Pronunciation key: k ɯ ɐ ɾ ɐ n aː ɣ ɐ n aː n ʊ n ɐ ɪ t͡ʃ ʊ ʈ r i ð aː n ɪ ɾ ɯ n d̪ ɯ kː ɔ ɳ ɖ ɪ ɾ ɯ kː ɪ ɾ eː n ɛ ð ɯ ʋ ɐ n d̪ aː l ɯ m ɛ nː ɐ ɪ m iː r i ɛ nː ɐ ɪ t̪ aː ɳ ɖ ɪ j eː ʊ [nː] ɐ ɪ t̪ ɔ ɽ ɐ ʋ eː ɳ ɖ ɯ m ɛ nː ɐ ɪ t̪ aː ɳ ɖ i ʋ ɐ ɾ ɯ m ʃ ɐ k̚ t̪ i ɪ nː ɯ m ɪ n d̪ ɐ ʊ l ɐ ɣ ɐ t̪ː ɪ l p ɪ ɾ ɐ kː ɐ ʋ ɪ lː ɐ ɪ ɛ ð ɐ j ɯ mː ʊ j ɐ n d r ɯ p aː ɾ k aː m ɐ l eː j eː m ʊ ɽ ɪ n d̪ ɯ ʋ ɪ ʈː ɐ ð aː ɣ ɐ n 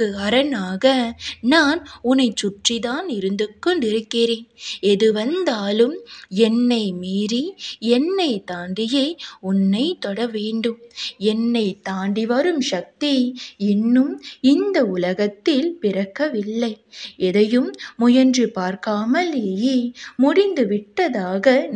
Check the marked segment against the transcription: correct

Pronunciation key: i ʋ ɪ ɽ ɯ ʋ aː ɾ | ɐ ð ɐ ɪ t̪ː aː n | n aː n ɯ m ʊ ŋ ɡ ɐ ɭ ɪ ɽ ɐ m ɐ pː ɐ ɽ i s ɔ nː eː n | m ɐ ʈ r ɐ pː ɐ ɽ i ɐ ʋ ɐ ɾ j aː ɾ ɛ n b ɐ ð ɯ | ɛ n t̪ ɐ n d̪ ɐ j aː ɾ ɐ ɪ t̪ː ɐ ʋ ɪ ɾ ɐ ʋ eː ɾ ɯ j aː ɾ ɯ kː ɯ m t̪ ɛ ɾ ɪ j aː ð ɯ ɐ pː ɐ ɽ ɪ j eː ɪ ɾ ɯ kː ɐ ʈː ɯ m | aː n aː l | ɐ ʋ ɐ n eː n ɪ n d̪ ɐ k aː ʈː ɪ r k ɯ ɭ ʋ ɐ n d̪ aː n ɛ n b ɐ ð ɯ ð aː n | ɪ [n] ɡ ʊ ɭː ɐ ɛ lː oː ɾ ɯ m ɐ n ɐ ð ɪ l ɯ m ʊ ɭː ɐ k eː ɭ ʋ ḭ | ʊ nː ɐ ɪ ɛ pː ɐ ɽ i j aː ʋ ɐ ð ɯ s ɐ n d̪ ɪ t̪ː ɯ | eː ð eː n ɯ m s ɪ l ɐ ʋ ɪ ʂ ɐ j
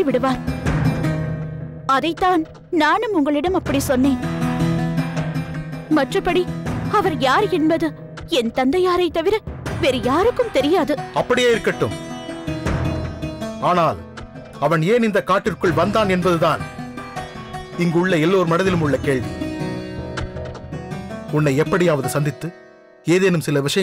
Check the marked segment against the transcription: incorrect: ŋ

